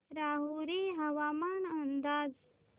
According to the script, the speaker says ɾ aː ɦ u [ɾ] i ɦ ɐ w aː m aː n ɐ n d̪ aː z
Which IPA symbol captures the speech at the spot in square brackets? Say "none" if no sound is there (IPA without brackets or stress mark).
ɾ